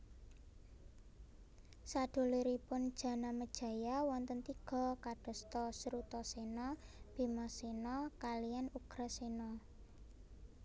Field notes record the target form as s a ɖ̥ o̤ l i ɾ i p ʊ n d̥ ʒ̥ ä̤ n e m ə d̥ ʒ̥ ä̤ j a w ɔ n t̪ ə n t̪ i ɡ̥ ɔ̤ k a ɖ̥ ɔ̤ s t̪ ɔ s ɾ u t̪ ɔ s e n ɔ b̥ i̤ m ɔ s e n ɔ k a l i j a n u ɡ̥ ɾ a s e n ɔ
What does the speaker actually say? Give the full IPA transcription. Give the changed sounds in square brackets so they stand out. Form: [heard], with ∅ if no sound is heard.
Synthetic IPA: s a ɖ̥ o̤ l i ɾ i p ʊ n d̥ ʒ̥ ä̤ n [a] m ə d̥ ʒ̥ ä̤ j a w ɔ n t̪ ə n t̪ i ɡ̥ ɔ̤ k a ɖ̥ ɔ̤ s t̪ ɔ s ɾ u t̪ ɔ s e n ɔ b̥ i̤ m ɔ s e n ɔ k a l i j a n u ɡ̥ ɾ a s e n ɔ